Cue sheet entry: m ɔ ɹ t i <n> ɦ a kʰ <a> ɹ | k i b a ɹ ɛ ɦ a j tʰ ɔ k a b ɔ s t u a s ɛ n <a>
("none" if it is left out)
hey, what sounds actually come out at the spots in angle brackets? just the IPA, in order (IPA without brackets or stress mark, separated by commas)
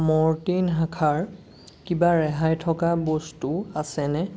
n, a, ɛ